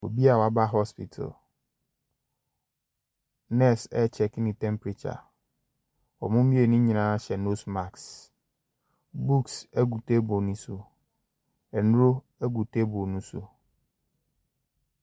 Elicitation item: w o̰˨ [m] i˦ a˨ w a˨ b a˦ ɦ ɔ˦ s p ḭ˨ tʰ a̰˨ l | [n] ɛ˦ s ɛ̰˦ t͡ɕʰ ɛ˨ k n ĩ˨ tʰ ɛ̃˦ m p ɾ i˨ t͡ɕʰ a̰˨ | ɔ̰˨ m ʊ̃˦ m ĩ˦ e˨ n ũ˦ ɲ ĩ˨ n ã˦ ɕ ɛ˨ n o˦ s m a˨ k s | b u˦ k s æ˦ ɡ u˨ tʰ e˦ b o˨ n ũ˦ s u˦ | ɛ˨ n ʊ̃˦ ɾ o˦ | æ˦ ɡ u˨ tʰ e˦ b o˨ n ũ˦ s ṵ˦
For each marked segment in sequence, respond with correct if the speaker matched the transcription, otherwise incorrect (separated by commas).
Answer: incorrect, correct